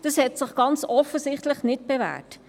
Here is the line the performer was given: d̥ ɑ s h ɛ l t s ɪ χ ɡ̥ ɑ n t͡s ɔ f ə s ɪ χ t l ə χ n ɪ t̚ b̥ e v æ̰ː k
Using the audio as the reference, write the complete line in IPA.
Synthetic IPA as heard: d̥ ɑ s h ɛ t s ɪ χ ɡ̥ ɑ n t͡s ɔ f ə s ɪ χ t l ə χ n ɪ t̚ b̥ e v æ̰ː t